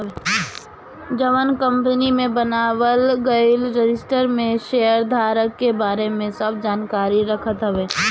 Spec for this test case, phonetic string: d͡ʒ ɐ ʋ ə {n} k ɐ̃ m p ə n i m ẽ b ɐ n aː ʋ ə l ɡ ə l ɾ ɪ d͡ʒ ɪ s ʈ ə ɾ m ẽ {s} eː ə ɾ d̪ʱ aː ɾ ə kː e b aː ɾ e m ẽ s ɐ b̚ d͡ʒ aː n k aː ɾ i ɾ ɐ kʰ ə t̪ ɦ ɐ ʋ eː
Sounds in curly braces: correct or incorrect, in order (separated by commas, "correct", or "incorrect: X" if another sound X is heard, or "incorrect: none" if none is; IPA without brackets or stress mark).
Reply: correct, incorrect: ʃ